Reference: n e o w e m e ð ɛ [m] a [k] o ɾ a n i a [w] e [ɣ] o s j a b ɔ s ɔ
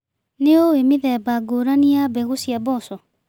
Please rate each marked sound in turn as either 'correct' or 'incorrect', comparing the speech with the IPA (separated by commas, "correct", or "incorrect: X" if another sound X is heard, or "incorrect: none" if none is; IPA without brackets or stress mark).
incorrect: b, incorrect: ɡ, incorrect: b, correct